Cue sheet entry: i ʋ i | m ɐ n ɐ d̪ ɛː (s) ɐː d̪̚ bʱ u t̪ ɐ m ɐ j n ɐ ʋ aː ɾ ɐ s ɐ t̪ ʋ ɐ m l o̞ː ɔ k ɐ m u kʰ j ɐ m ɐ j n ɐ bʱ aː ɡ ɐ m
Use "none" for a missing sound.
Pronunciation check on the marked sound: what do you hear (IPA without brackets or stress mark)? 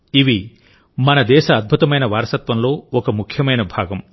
ʃ